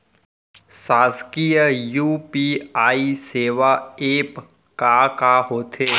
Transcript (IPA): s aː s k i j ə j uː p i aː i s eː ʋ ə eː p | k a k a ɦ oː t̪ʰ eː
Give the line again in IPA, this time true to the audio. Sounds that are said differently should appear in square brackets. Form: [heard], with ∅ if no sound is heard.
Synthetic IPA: s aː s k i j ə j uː p i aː i s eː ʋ [a] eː p | k a k a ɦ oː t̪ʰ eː